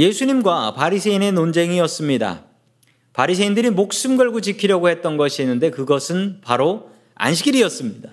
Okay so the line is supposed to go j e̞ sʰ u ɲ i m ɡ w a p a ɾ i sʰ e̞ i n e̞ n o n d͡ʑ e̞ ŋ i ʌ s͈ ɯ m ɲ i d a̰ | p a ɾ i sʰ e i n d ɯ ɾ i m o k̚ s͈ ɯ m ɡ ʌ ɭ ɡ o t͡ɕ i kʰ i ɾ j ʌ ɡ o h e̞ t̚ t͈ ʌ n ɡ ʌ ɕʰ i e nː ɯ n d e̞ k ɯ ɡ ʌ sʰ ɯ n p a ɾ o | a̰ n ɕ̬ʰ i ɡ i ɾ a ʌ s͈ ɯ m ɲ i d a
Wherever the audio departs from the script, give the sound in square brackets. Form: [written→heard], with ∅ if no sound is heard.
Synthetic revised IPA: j e̞ sʰ u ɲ i m ɡ w a p a ɾ i sʰ e̞ i n e̞ n o n d͡ʑ e̞ ŋ i ʌ s͈ ɯ m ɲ i d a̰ | p a ɾ i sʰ e i n d ɯ ɾ i m o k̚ s͈ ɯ m ɡ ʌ ɭ ɡ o t͡ɕ i kʰ i ɾ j ʌ ɡ o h e̞ t̚ t͈ ʌ n ɡ ʌ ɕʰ i e nː ɯ n d e̞ k ɯ ɡ ʌ sʰ ɯ n p a ɾ o | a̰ n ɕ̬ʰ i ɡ i ɾ [a→i] ʌ s͈ ɯ m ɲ i d a